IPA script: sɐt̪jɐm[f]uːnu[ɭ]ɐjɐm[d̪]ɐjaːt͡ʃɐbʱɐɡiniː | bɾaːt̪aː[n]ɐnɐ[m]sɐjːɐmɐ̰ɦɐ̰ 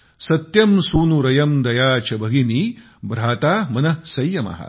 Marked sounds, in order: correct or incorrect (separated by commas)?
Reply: incorrect, incorrect, correct, incorrect, incorrect